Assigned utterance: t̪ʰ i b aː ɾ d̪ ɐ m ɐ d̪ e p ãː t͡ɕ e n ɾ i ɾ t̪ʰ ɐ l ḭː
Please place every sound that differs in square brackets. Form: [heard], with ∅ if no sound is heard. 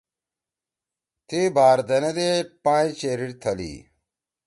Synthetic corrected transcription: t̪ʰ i b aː ɾ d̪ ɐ [n] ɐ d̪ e p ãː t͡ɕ e [∅] ɾ i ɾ t̪ʰ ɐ l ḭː